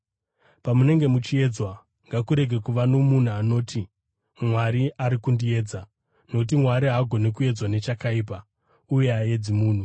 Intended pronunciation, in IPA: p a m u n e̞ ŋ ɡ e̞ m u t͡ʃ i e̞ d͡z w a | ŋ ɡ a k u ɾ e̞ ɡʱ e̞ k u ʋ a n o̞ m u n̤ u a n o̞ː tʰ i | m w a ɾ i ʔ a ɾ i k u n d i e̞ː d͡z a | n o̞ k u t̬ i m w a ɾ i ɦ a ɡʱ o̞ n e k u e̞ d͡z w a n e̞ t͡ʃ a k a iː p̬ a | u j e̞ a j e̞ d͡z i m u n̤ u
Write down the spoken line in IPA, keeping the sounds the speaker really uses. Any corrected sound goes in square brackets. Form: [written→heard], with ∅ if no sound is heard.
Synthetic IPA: p a m u n e̞ ŋ ɡ e̞ m u t͡ʃ i e̞ d͡z w a | ŋ ɡ a k u ɾ e̞ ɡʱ e̞ k u ʋ a n o̞ m u n̤ u a n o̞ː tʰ i | m w a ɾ i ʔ a ɾ i k u n d i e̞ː d͡z a | n o̞ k u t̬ i m w a ɾ i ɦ a ɡʱ o̞ n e k u e̞ d͡z w a n e̞ t͡ʃ a k a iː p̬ a | u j e̞ a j e̞ d͡z i m [u→uː] n̤ u